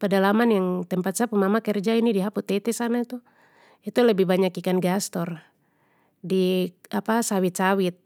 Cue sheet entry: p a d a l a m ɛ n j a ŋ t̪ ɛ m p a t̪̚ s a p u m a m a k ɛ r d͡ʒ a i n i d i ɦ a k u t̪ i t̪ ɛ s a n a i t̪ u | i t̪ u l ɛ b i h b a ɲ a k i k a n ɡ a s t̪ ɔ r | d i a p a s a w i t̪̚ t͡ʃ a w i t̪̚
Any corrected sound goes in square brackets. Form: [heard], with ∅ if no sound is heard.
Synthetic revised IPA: p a d a l a m [a] n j a ŋ t̪ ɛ m p a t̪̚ s a p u m a m a k ɛ r d͡ʒ a i n i d i ɦ a [p] u t̪ [ɛ] t̪ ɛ s a n a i t̪ u | i t̪ u l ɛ b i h b a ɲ a k i k a n ɡ a s t̪ ɔ r | d i a p a s a w i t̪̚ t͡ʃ a w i t̪̚